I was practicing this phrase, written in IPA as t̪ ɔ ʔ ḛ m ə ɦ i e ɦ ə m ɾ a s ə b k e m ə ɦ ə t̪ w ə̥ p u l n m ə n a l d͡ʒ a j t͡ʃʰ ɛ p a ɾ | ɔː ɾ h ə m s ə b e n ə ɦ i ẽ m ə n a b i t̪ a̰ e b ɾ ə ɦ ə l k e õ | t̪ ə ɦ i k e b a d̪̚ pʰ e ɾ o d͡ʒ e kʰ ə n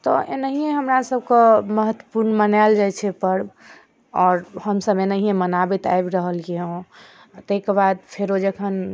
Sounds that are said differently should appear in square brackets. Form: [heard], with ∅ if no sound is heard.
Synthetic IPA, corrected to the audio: t̪ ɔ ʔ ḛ [n] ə ɦ i e ɦ ə m ɾ a s ə b k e m ə ɦ ə t̪ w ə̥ p u [ɾ] n m ə n a l d͡ʒ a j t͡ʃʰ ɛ p [ə] ɾ | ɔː ɾ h ə m s ə b e n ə ɦ i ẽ m ə n a b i t̪ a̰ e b ɾ ə ɦ ə l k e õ | t̪ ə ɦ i k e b a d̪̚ pʰ e ɾ o d͡ʒ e kʰ ə n